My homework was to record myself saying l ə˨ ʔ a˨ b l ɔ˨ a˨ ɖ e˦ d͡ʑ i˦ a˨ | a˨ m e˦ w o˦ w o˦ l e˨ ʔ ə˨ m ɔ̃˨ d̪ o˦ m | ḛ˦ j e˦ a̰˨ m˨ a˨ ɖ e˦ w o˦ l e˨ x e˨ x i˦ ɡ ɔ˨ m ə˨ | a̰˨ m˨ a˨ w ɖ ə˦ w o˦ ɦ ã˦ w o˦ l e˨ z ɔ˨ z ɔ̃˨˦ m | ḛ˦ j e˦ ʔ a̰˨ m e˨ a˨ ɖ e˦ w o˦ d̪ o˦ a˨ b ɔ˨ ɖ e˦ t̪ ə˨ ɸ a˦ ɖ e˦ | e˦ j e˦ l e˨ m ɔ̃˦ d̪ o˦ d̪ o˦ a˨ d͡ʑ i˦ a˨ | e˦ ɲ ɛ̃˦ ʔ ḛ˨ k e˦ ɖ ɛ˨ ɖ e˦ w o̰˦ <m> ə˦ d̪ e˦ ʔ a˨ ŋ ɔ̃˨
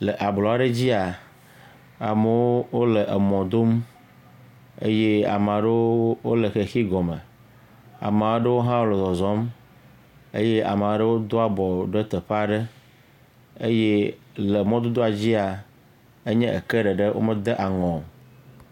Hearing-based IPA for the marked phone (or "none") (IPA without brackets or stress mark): m